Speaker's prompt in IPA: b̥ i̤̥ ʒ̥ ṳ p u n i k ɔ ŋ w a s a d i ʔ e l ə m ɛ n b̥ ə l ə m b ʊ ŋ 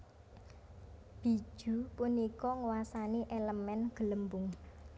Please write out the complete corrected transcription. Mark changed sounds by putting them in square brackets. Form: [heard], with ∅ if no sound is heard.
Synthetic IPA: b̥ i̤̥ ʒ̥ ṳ p u n i k ɔ ŋ w a s a [n] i ʔ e l ə m ɛ n [ɡ̥] ə l ə m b ʊ ŋ